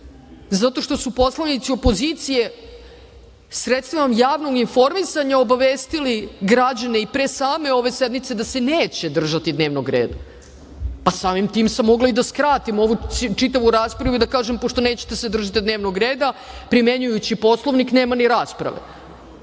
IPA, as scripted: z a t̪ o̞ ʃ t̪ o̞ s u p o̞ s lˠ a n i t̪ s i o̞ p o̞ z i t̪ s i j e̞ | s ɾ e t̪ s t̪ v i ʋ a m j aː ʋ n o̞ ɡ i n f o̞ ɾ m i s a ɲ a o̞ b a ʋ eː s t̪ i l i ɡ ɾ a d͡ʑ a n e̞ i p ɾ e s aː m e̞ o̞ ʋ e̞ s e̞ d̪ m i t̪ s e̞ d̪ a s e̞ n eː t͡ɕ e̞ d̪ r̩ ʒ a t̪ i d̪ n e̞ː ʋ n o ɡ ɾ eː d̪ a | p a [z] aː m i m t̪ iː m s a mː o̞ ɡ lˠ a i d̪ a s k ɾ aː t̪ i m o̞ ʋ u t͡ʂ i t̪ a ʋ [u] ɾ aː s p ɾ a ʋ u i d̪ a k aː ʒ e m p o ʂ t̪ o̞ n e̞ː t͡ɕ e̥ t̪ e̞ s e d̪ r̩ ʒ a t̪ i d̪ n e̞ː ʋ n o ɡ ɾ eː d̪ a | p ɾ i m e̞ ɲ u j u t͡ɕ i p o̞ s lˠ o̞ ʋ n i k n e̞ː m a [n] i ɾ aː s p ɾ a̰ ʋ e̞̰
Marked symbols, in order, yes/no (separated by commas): no, yes, yes